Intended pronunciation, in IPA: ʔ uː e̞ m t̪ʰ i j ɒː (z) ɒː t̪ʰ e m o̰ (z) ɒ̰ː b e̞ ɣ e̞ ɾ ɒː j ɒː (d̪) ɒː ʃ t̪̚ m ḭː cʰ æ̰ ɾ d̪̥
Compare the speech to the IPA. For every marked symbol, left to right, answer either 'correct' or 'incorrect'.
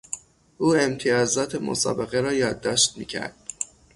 correct, incorrect: s, incorrect: d̪ː

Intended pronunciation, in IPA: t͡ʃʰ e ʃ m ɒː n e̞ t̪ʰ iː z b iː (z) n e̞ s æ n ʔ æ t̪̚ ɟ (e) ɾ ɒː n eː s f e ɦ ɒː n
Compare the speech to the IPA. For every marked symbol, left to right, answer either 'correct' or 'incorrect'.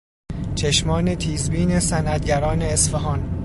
incorrect: none, incorrect: æ

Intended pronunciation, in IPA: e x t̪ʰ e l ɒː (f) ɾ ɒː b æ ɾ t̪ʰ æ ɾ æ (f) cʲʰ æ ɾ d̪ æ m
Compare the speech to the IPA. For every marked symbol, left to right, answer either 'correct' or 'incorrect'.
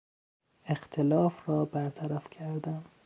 correct, correct

